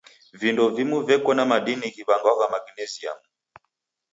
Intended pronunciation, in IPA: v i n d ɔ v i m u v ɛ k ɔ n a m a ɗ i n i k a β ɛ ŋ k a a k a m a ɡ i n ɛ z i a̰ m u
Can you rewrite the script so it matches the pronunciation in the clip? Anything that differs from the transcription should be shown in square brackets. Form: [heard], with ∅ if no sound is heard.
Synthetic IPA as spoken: v i n d ɔ v i m u v ɛ k ɔ n a m a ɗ i n i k [i] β [a] ŋ [ɡ] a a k a m a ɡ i n ɛ z i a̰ m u